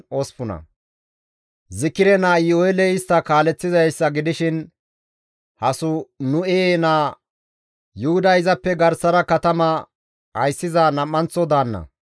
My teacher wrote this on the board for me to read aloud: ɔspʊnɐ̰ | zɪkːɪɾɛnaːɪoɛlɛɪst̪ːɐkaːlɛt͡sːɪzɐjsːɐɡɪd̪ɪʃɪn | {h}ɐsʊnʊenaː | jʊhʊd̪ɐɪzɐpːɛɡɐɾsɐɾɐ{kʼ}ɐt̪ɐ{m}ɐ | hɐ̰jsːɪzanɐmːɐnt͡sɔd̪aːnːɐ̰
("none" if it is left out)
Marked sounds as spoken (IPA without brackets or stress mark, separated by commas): h, k, m